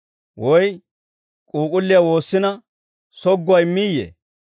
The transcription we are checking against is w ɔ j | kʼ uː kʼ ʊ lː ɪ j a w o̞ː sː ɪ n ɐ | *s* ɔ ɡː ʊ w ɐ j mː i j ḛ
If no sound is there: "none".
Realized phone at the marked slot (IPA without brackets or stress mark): s